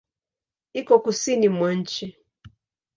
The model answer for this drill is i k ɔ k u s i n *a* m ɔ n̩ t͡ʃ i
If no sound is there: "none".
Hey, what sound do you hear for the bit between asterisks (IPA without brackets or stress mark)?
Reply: i